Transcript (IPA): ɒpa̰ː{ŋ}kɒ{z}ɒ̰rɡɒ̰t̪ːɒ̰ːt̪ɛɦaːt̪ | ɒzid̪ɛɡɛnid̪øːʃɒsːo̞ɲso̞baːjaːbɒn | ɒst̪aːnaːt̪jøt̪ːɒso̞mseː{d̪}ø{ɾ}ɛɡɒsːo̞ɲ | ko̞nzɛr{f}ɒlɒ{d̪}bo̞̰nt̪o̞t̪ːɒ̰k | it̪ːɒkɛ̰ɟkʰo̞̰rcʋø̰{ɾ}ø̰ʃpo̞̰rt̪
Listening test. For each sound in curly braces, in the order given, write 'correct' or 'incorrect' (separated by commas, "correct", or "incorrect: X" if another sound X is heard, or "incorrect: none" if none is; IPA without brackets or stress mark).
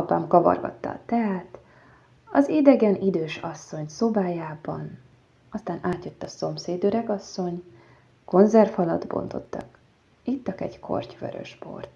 incorrect: m, incorrect: v, correct, correct, correct, correct, correct